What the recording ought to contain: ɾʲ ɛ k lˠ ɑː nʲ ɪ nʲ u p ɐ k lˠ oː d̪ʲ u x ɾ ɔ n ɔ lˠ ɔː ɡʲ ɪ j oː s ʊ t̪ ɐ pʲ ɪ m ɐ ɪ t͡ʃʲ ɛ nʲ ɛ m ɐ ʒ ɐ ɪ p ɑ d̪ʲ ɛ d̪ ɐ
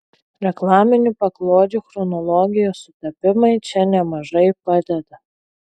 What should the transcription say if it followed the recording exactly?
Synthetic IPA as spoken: ɾʲ ɛ k lˠ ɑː mʲ ɪ nʲ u p ɐ k lˠ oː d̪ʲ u x ɾ ɔ n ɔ lˠ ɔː ɡʲ ɪ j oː s ʊ t̪ ɐ pʲ ɪ m ɐ ɪ t͡ʃʲ ɛ nʲ ɛ m ɐ ʒ ɐ ɪ p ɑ d̪ʲ ɛ d̪ ɐ